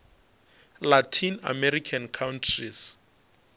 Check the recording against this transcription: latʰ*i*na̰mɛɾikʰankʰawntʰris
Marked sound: correct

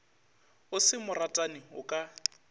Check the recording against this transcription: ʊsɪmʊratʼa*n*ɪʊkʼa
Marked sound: correct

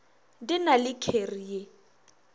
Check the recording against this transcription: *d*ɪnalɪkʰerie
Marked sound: correct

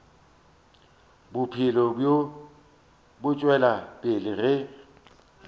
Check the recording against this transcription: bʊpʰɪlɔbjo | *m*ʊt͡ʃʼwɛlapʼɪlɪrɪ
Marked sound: incorrect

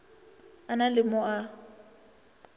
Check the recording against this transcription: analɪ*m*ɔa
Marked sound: correct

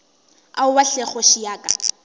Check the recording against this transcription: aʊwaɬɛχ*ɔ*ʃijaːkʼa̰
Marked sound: correct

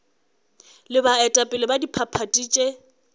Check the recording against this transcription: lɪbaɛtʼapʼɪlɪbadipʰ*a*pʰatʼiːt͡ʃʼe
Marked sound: correct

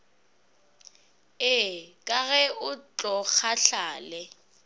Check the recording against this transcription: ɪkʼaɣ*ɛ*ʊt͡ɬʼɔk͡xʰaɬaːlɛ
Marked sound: correct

